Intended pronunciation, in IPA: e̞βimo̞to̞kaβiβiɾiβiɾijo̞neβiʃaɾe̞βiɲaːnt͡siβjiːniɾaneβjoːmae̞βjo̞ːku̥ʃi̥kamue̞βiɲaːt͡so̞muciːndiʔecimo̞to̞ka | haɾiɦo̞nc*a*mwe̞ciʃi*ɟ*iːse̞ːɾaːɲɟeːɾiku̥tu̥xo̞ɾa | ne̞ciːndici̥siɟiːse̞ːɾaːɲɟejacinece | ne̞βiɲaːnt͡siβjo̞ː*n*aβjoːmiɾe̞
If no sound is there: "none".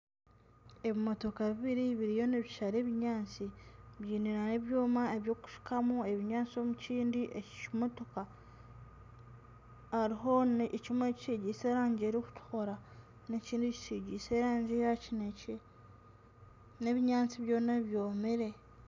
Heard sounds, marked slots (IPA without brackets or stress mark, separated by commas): i, ɟ, n